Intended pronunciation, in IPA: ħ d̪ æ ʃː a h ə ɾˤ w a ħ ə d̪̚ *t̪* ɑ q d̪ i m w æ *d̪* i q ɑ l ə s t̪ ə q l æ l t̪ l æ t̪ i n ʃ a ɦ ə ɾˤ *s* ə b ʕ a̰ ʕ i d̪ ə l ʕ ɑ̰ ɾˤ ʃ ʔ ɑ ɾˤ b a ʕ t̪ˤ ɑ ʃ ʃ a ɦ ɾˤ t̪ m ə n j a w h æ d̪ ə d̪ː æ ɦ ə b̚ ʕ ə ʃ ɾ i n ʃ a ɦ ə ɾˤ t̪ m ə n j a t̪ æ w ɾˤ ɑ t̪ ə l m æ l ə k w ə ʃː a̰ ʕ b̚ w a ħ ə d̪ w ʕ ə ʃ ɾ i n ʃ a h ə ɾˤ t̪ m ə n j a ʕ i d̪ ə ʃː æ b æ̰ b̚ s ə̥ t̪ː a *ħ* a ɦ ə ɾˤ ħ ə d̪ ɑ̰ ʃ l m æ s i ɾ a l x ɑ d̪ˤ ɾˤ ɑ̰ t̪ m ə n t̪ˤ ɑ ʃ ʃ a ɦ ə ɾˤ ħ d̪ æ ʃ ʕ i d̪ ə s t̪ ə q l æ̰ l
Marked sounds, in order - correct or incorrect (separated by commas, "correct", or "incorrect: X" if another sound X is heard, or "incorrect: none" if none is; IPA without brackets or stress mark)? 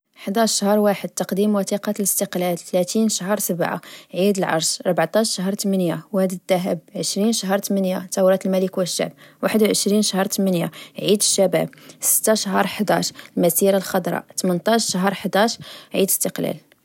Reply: correct, incorrect: t̪, correct, incorrect: ʃ